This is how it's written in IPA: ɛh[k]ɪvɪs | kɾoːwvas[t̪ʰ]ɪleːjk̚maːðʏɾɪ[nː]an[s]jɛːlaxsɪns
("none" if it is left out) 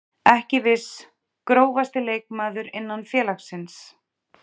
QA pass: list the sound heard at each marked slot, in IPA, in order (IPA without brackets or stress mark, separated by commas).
c, t̪, nː, f